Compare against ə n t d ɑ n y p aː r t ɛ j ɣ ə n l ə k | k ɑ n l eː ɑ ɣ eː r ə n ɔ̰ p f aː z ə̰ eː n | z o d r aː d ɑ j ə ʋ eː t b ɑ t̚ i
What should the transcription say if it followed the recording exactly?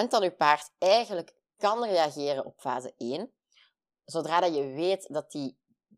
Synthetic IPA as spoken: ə n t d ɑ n y p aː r t ɛ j ɣ ə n l ə k | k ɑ n r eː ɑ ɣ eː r ə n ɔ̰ p f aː z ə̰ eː n | z o d r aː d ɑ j ə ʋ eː t d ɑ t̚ i